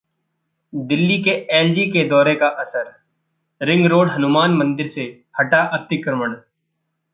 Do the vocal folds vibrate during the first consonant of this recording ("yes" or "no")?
yes